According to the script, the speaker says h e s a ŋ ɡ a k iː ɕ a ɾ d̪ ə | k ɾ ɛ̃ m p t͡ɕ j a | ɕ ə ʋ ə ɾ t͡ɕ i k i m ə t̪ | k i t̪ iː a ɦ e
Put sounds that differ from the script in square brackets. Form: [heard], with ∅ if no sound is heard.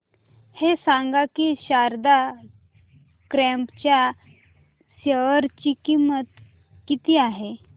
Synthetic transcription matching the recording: h e s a ŋ ɡ a k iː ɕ a ɾ d̪ [a] | k ɾ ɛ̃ m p t͡ɕ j a | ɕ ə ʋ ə ɾ t͡ɕ i k i m ə t̪ | k i t̪ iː a ɦ e